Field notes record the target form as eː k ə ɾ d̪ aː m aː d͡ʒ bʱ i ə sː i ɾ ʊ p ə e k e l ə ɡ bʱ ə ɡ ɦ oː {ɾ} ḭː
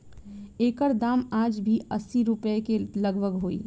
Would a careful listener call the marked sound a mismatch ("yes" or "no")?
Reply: yes